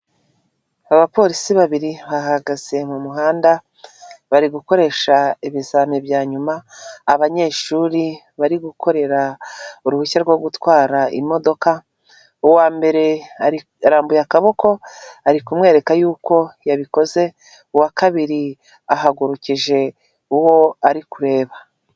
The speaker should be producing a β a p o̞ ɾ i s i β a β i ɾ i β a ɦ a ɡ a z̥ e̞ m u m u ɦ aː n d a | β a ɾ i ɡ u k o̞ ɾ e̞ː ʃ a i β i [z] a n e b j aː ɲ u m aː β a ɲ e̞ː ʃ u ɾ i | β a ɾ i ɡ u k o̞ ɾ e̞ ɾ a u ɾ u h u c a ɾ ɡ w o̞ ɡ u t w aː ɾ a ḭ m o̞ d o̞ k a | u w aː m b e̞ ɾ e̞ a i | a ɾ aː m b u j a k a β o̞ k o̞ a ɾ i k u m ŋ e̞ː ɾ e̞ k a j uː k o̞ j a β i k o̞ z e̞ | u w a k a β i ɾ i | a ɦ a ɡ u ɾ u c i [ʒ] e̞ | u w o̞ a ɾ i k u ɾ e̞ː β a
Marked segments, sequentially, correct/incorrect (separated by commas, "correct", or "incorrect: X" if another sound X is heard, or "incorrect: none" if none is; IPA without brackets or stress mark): correct, correct